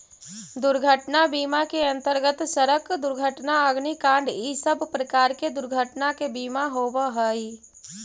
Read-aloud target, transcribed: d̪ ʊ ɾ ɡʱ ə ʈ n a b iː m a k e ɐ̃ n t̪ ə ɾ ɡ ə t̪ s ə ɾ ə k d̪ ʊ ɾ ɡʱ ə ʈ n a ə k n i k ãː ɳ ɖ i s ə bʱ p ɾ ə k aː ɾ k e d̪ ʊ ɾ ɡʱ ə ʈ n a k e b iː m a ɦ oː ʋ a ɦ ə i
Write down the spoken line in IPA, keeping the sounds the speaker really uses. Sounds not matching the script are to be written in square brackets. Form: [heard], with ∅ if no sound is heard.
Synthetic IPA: d̪ ʊ ɾ ɡʱ ə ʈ n a b iː m a k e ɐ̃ n t̪ ə ɾ ɡ ə t̪ s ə ɾ ə k d̪ ʊ ɾ ɡʱ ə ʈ n a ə [ɡ] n i k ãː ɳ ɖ i s ə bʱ p ɾ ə k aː ɾ k e d̪ ʊ ɾ ɡʱ ə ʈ n a k e b iː m a ɦ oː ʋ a ɦ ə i